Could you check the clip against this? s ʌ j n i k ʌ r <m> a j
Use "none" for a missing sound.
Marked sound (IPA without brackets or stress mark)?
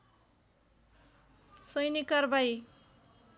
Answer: b